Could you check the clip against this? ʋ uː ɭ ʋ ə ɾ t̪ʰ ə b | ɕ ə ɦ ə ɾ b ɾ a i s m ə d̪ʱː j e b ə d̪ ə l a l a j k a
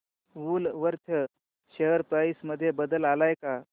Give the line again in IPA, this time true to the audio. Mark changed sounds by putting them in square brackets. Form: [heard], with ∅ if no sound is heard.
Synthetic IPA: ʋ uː [l] ʋ ə ɾ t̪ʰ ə [∅] | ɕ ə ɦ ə ɾ [p] ɾ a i s m ə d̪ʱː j e b ə d̪ ə l a l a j k a